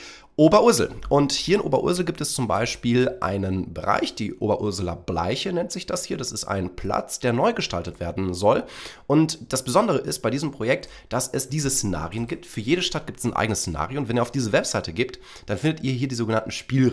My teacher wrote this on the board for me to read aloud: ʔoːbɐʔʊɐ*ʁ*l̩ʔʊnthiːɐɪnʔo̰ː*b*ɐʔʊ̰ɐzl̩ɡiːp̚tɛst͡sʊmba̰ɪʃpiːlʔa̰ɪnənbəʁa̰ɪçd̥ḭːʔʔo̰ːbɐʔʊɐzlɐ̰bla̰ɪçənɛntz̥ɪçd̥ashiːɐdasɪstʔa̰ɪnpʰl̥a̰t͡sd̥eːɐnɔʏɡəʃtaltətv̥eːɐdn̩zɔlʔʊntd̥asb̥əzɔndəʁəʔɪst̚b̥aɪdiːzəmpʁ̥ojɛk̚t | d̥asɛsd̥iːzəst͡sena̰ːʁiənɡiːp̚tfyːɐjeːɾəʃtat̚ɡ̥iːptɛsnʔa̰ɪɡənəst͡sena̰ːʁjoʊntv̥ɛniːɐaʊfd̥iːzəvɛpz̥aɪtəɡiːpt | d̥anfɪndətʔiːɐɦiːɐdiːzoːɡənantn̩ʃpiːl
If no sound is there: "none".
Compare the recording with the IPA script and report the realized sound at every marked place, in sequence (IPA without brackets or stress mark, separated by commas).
z, b